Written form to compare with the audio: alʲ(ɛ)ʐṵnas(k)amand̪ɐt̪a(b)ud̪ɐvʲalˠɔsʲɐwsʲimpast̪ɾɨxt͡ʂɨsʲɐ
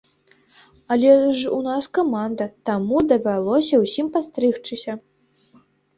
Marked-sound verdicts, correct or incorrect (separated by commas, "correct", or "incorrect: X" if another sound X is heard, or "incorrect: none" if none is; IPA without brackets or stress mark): correct, correct, incorrect: m